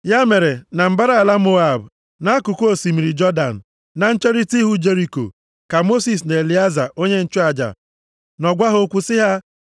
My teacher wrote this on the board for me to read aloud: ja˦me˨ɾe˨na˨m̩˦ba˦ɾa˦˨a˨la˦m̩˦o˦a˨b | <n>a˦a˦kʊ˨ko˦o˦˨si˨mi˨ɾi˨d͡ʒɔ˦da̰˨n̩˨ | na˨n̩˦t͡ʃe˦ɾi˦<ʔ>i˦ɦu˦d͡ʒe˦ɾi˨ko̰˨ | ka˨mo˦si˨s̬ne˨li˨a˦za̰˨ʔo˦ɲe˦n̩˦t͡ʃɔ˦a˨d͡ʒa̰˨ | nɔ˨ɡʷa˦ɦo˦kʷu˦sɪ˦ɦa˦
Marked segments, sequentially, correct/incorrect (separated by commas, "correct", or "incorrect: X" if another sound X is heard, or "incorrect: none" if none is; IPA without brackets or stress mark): correct, incorrect: t